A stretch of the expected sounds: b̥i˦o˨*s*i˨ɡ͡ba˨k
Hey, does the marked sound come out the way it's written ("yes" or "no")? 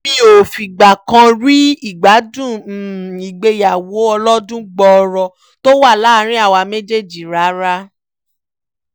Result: no